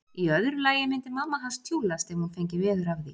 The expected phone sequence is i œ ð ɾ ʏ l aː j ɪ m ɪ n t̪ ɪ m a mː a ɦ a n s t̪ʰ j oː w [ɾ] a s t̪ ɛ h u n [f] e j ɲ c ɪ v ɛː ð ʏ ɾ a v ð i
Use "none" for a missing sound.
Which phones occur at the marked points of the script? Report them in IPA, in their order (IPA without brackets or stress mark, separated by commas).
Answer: l, f